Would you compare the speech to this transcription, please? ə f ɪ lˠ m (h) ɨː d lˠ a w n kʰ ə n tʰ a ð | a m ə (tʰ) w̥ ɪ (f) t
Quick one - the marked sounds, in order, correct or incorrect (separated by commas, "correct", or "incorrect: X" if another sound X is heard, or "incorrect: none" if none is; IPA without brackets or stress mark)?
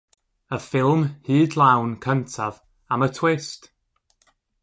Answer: correct, correct, incorrect: s